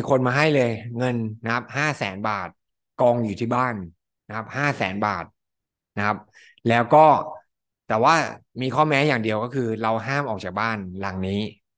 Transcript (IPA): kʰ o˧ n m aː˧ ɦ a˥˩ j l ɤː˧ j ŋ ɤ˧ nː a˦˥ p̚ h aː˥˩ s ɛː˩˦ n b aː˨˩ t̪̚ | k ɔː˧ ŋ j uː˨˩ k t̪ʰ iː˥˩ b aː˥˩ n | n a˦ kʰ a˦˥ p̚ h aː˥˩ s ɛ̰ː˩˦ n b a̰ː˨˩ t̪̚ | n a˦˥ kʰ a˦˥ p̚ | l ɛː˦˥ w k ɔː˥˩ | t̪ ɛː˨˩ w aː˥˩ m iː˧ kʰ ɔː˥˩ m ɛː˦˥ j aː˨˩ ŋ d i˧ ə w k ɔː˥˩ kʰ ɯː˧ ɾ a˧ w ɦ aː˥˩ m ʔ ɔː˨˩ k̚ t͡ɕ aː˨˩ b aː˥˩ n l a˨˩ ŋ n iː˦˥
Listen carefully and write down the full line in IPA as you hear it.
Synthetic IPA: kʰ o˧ n m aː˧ ɦ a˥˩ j l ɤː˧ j ŋ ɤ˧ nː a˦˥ p̚ h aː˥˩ s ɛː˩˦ n b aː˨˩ t̪̚ | k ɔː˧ ŋ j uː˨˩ t̪ʰ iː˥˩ b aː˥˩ n | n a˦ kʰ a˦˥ p̚ h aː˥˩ s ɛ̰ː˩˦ n b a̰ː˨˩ t̪̚ | n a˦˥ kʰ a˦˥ p̚ | l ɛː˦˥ w k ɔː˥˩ | t̪ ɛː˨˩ w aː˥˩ m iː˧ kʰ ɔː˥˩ m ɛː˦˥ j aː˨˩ ŋ d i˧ ə w k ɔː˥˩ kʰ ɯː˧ ɾ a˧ w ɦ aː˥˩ m ʔ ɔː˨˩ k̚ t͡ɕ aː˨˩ b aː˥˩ n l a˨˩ ŋ n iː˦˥